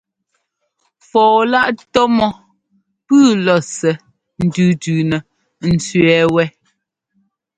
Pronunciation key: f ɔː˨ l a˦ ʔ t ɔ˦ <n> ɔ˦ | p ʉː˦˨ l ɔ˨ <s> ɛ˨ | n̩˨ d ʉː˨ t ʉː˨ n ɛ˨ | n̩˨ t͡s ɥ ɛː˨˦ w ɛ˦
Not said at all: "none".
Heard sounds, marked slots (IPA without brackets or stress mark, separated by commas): m, s